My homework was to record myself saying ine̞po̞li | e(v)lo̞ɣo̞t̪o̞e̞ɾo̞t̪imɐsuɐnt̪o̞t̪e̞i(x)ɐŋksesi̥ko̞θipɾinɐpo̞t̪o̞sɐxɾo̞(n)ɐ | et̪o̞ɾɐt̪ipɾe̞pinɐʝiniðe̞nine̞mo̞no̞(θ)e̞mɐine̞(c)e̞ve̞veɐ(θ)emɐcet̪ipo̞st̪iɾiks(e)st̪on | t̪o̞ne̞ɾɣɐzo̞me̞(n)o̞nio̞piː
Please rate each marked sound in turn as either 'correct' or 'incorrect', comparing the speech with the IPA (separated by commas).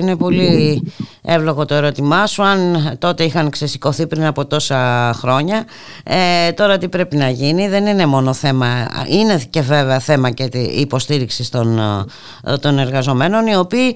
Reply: correct, correct, incorrect, correct, correct, correct, incorrect, correct